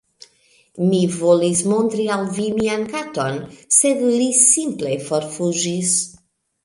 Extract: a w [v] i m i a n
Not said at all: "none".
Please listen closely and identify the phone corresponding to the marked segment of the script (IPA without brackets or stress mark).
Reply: v